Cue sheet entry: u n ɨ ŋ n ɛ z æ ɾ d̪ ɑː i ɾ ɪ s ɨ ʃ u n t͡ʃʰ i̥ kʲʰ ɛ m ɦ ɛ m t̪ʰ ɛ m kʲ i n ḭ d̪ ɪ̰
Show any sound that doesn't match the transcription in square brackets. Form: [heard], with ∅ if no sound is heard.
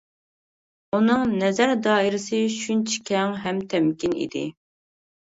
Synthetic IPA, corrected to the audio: u n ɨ ŋ n ɛ z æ ɾ d̪ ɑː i ɾ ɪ s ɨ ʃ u n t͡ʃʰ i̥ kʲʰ ɛ [ŋ] ɦ ɛ m t̪ʰ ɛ m kʲ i n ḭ d̪ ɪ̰